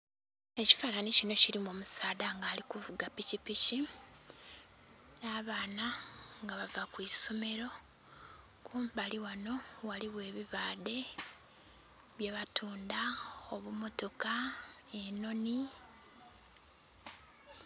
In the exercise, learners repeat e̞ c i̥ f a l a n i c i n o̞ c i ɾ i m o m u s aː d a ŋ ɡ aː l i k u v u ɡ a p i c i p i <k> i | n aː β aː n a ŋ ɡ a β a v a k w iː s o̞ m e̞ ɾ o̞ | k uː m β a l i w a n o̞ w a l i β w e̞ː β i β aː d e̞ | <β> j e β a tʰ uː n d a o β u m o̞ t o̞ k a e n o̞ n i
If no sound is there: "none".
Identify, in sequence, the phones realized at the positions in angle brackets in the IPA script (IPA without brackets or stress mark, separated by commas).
c, β